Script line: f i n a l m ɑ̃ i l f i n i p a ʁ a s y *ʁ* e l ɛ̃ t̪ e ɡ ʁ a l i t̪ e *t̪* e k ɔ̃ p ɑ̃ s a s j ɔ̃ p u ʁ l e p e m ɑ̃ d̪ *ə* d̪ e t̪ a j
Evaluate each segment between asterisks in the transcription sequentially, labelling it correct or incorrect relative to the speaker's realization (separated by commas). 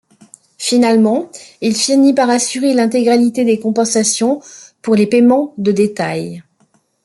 correct, incorrect, correct